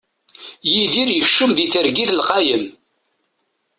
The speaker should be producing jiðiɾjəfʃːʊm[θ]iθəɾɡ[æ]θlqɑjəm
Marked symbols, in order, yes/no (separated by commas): no, no